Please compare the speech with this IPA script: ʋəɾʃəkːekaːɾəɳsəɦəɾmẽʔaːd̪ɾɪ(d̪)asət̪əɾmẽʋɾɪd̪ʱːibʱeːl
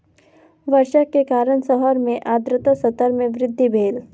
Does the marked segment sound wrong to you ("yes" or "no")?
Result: yes